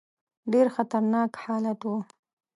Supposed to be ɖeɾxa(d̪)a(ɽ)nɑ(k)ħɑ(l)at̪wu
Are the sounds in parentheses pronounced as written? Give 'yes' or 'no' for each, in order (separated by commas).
no, no, yes, yes